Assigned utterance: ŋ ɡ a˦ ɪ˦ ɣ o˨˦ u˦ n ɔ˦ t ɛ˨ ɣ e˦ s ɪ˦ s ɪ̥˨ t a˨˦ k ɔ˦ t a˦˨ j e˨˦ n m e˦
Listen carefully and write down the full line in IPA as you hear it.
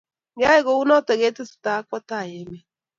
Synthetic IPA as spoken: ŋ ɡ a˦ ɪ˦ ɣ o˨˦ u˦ n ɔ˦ t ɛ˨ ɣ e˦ t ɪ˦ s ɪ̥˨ t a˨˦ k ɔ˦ t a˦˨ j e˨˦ m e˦